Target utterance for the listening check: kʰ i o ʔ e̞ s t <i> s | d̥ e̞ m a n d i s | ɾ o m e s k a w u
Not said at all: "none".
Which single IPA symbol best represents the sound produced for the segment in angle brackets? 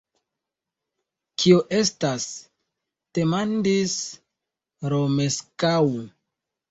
a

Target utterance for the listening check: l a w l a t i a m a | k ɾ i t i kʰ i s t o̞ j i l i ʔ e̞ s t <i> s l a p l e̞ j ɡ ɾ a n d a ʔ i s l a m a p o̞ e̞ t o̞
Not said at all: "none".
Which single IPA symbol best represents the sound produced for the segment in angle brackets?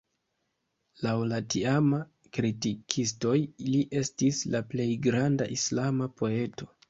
i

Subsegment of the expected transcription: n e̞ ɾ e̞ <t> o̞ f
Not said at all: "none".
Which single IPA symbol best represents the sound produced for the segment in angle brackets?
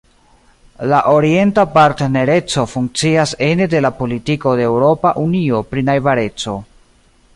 t͡s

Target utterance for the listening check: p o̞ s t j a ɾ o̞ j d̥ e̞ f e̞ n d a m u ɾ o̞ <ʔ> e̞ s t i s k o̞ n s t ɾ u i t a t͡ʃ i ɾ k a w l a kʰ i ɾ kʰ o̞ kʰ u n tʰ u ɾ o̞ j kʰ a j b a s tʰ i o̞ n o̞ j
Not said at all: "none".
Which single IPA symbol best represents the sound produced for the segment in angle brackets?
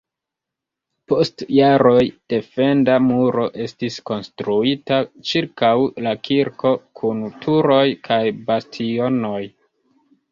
ʔ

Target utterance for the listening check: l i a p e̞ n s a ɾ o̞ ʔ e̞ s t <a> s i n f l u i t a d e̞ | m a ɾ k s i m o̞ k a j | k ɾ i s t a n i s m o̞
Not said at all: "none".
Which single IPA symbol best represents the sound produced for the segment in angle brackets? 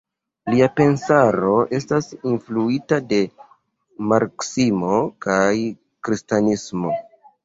a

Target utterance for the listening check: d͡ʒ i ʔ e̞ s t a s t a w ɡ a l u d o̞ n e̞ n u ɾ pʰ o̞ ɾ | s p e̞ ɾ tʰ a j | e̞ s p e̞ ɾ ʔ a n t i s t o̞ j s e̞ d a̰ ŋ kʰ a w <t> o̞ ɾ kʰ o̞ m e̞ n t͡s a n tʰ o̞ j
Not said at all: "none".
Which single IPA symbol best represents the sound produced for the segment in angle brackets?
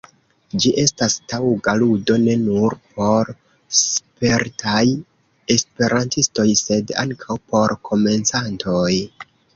p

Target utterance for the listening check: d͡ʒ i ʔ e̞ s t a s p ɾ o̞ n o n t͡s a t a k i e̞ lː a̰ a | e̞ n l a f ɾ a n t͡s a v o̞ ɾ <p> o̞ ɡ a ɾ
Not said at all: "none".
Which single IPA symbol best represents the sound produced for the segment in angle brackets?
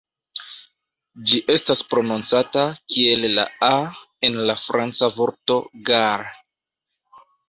t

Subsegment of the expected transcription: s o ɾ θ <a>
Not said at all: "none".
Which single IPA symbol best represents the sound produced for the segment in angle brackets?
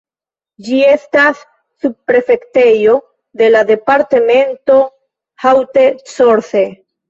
e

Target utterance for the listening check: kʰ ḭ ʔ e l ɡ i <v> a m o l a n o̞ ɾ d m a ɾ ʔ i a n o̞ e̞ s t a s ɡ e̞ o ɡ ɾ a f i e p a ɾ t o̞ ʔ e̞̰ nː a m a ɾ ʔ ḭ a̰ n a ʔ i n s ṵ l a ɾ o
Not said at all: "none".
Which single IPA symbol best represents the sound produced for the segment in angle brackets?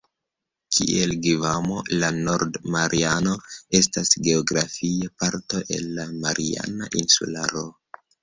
v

